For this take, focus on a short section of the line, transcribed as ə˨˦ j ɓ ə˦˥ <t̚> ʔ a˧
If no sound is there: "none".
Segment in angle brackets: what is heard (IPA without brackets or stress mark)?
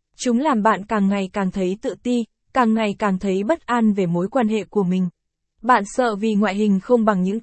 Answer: t̚